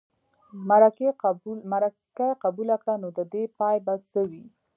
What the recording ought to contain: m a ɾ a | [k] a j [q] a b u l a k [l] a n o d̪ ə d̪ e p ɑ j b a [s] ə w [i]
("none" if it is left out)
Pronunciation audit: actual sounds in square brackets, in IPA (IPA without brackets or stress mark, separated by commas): k, q, ɽ, s, i